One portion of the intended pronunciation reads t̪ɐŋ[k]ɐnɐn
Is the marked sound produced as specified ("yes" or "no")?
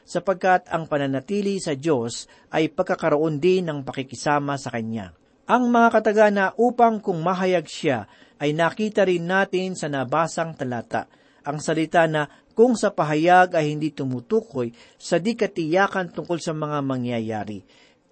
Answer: no